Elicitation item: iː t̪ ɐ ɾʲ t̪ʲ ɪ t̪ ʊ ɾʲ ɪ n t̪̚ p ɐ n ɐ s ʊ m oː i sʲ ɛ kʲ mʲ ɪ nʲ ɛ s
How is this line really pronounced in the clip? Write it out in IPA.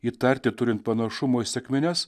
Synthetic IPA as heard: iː t̪ ɐ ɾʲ t̪ʲ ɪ t̪ ʊ ɾʲ ɪ n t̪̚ p ɐ n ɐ ʃ ʊ m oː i sʲ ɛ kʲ mʲ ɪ nʲ ɛ s